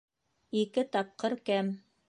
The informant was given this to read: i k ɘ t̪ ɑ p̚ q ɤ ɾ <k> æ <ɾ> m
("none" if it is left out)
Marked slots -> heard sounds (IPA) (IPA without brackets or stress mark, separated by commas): k, none